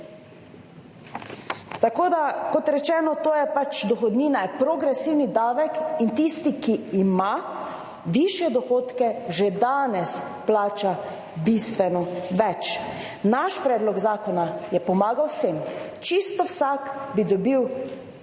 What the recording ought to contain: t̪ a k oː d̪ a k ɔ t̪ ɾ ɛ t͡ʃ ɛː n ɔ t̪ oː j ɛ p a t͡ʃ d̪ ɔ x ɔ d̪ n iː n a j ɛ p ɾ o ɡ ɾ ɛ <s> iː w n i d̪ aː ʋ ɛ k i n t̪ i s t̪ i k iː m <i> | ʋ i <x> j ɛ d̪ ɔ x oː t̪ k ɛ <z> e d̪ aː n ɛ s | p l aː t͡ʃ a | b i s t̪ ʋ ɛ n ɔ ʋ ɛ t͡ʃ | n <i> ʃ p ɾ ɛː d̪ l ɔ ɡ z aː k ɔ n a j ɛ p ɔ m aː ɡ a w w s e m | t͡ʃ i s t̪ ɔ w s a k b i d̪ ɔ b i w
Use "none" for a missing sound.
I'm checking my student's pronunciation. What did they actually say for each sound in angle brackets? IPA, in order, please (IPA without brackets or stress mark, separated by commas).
s, a, ʃ, ʒ, a